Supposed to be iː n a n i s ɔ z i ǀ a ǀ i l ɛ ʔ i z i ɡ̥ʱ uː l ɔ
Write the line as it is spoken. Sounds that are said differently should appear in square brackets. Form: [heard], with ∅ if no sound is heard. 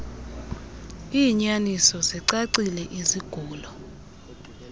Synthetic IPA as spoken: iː [ɲ] a n i s ɔ z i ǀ a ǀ i l ɛ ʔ i z i ɡ̥ʱ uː l ɔ